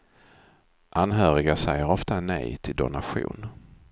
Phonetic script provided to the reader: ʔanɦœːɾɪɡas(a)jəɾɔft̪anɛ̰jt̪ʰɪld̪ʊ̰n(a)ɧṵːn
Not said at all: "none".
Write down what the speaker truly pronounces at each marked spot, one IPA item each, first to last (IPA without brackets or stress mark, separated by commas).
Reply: ɛ, a